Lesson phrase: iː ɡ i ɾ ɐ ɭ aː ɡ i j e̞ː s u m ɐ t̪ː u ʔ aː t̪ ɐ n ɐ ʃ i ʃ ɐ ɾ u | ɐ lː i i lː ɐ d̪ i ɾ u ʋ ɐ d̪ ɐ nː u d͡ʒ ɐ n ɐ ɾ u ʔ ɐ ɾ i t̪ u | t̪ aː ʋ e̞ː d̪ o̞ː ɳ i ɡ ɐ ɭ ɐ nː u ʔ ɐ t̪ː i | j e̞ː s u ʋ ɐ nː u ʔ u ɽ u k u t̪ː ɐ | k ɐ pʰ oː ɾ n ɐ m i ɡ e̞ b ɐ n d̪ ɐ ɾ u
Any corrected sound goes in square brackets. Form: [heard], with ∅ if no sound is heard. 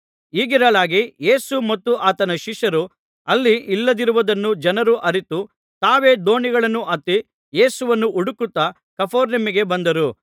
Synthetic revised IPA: iː ɡ i ɾ ɐ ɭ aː ɡ i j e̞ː s u m ɐ t̪ː u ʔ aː t̪ ɐ n ɐ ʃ i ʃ ɐ ɾ u | ɐ lː i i lː ɐ d̪ i ɾ u ʋ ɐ d̪ ɐ nː u d͡ʒ ɐ n ɐ ɾ u ʔ ɐ ɾ i t̪ u | t̪ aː ʋ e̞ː d̪ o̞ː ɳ i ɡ ɐ ɭ ɐ nː u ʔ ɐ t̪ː i | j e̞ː s u ʋ ɐ nː u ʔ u ɽ u k u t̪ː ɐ | k ɐ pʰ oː ɾ n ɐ m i ɡ e̞ b ɐ n d̪ ɐ ɾ u